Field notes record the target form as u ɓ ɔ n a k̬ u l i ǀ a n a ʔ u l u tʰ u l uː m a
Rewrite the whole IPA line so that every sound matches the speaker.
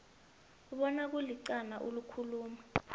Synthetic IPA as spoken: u ɓ ɔ n a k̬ u l i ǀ a n a ʔ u l u kʰ u l uː m a